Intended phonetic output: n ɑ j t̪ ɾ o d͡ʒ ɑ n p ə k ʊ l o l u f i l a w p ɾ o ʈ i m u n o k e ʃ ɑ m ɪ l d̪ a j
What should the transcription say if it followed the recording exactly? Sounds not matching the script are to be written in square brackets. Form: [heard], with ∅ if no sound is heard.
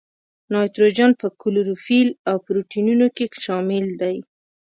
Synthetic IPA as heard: n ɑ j t̪ ɾ o d͡ʒ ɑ n p ə k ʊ l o [ɾ] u f i l a w p ɾ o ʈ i [n] u n o k e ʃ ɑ m ɪ l d̪ a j